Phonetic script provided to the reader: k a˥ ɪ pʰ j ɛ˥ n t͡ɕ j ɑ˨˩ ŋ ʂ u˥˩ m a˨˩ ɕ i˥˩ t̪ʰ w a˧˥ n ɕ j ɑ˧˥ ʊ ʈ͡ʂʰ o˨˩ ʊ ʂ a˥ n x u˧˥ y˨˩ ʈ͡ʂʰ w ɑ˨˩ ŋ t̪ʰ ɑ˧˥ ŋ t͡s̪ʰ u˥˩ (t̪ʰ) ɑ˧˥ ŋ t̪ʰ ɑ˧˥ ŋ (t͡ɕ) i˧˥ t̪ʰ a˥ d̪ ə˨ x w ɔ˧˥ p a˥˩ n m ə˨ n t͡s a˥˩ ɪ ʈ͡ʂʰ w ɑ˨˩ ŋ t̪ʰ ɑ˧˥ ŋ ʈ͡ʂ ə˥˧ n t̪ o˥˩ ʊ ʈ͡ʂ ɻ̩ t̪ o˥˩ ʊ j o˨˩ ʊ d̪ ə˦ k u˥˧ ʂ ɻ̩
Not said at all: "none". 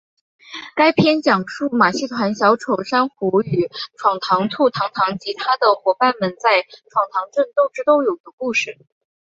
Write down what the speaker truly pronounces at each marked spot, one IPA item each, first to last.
t̪ʰ, t͡ɕ

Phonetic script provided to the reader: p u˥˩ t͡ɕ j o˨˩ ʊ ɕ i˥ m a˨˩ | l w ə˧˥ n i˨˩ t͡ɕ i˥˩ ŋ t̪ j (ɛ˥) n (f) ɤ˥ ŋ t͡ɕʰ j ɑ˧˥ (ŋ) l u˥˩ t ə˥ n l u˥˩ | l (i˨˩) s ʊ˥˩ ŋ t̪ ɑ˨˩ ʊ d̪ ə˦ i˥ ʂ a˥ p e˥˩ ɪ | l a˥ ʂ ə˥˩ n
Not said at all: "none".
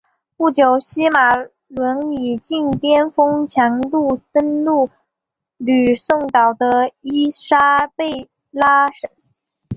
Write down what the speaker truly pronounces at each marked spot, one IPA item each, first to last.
ɛ˥, f, ŋ, y˨˩

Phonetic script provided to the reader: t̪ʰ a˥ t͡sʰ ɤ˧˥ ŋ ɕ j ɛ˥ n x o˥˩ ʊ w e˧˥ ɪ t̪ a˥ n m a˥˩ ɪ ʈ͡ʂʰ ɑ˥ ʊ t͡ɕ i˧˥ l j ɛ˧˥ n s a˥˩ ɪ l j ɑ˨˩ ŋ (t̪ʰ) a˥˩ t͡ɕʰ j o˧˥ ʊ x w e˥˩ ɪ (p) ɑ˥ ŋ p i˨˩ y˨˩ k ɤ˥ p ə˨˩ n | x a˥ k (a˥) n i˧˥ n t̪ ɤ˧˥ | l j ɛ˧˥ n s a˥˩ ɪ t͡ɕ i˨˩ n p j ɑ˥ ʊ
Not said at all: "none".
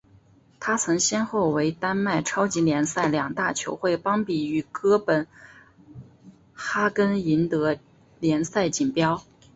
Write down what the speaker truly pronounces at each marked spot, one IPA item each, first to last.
t̪, p, ə˥

